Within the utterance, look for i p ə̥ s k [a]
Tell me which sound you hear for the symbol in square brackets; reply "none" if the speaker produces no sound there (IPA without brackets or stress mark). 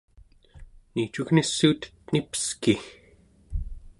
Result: i